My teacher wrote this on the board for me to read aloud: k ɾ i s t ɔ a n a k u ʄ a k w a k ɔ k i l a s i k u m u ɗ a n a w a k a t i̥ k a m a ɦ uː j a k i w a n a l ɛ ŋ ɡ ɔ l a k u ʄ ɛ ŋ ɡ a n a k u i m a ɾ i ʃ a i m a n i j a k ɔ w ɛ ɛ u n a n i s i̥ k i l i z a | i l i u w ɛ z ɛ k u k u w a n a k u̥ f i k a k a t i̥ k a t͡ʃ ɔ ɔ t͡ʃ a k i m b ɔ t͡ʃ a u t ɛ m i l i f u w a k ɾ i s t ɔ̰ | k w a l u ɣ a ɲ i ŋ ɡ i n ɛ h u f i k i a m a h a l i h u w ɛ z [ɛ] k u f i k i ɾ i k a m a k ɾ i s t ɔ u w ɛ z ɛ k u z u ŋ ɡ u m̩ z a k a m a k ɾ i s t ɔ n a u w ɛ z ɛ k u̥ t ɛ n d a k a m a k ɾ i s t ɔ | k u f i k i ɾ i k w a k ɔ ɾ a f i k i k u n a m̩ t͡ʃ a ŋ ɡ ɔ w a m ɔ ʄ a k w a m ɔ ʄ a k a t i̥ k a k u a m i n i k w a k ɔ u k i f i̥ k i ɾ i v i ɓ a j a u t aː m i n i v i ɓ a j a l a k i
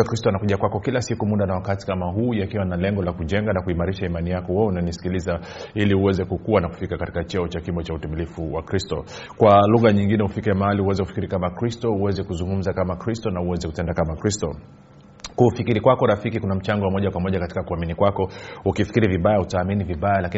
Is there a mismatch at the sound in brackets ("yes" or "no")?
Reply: no